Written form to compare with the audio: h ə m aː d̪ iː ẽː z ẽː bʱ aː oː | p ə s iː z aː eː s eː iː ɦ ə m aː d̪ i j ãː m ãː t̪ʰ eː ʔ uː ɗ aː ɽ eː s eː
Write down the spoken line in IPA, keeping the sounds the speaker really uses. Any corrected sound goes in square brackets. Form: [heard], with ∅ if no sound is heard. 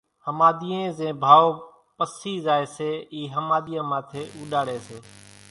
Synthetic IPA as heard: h ə m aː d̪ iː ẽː z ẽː bʱ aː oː | p ə s iː z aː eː s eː iː ɦ ə m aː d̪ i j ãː m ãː t̪ʰ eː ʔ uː ɗ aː ɽ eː s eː